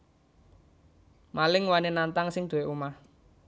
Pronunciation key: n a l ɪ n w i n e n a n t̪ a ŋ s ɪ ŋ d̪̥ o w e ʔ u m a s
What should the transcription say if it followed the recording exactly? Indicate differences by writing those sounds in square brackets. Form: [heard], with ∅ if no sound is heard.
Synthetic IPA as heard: [m] a l ɪ [ŋ] w [a] n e n a n t̪ a ŋ s ɪ ŋ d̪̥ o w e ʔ u m a [h]